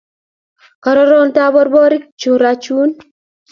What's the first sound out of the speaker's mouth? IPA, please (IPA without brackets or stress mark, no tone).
k